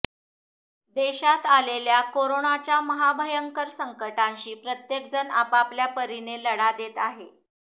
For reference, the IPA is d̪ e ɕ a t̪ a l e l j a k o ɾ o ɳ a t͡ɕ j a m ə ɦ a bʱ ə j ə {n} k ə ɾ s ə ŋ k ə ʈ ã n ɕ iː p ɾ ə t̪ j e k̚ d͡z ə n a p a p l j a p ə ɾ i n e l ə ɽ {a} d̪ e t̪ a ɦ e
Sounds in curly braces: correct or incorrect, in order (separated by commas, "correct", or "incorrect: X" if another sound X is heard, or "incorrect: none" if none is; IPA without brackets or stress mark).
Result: incorrect: ŋ, correct